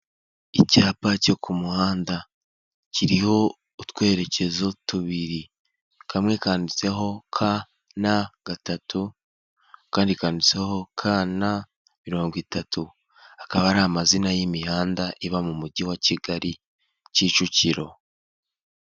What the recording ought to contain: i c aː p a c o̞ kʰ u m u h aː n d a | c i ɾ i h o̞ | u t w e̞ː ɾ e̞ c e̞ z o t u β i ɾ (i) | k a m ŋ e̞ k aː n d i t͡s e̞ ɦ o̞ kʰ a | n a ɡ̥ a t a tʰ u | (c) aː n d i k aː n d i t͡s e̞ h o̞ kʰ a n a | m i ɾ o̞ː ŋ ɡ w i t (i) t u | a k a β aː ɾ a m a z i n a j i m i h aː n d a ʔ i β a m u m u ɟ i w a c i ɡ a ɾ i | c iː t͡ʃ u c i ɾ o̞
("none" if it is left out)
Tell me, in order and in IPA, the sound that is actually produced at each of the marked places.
i, k, a

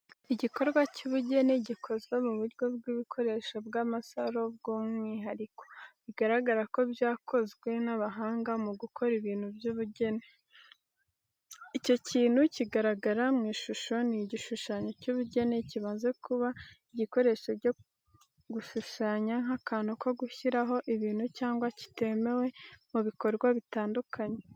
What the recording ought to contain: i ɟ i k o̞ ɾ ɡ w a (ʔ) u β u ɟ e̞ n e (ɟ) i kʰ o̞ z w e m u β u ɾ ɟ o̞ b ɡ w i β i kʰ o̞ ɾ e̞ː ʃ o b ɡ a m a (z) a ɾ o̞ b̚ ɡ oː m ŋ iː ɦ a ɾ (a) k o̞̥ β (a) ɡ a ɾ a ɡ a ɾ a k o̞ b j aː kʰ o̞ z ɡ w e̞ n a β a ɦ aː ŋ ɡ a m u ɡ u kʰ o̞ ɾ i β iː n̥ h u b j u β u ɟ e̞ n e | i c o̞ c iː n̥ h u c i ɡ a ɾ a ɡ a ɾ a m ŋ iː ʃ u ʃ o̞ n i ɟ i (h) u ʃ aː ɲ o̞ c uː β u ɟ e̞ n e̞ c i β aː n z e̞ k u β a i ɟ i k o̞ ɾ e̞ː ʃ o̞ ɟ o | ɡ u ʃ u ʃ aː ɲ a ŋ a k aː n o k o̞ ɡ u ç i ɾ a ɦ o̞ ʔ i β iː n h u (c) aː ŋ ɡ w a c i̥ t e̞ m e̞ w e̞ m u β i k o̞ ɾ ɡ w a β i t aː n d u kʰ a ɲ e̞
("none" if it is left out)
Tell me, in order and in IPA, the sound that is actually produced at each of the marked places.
c, ɟ, s, i, i, ʃ, c

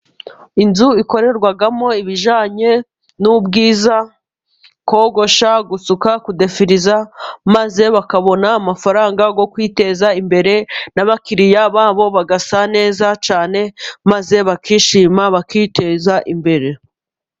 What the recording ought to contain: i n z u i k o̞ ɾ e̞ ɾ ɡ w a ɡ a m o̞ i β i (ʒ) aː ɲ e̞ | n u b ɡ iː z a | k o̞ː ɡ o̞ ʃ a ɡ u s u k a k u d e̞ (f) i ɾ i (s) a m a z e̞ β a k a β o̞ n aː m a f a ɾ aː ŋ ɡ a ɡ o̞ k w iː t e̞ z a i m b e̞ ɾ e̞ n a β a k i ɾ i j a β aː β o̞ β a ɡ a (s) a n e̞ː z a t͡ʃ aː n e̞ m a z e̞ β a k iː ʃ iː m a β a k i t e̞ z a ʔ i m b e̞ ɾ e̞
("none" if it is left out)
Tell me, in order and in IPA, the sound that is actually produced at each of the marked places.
ʒ, f, z, s

